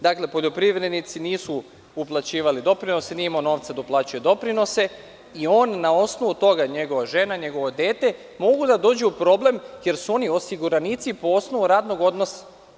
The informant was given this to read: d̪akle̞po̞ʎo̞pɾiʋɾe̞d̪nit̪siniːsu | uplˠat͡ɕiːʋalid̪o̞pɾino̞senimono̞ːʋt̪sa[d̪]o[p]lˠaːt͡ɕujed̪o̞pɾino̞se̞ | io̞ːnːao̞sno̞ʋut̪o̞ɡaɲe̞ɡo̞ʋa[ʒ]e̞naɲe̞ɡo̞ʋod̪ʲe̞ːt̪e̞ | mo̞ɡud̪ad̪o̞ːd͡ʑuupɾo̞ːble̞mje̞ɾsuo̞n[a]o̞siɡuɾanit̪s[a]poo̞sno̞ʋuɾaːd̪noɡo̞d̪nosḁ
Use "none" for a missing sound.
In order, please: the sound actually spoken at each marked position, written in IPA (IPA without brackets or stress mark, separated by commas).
d̪, p, ʒ, i, i